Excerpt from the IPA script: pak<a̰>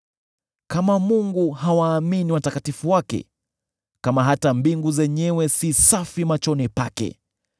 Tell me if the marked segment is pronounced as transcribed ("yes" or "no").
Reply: no